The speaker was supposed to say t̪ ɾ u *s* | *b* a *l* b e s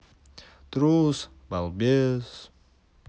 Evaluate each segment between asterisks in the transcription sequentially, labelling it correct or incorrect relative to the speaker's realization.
correct, correct, correct

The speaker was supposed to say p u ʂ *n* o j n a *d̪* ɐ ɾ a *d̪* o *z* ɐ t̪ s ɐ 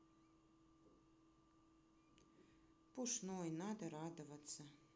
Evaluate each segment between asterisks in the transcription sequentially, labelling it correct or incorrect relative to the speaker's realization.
correct, correct, correct, incorrect: v

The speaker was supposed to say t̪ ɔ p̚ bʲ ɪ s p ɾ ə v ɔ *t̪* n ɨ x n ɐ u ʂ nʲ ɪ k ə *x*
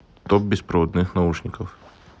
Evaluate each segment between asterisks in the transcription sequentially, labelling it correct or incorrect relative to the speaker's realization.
incorrect: d̪, incorrect: f

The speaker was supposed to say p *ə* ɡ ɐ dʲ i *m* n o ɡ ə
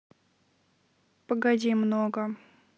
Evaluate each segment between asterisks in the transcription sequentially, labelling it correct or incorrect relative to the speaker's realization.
correct, correct

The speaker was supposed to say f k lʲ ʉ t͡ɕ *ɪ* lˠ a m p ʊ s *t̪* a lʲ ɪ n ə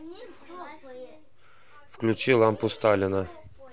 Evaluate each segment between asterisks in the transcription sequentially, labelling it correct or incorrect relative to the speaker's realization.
incorrect: i, correct

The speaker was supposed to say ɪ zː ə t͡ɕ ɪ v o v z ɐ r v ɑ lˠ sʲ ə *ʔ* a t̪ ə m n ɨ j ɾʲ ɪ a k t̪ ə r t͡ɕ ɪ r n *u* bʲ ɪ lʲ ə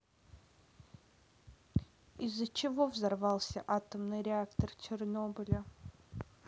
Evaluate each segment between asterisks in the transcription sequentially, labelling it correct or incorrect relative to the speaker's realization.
correct, incorrect: o

